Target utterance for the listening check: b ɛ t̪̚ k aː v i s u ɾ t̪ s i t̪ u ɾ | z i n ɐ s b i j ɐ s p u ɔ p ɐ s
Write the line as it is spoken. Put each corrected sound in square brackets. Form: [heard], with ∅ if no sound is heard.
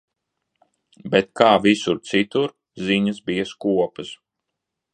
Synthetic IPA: b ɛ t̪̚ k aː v i s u ɾ t̪ s i t̪ u ɾ | z i [ɲ] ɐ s b i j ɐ s [k] u ɔ p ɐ s